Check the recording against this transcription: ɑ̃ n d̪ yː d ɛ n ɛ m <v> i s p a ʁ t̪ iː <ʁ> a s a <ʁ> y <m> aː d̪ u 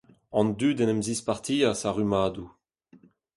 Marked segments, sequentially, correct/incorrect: incorrect, incorrect, correct, correct

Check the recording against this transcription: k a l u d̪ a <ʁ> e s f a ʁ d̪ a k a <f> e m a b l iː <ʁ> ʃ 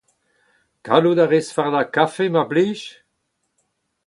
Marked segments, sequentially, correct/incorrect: correct, correct, incorrect

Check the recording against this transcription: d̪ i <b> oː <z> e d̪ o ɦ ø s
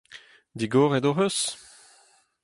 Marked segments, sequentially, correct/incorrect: incorrect, incorrect

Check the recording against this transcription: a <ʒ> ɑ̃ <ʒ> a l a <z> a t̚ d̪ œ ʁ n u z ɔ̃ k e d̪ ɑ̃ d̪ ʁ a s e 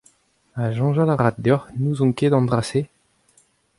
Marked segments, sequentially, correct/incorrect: correct, correct, incorrect

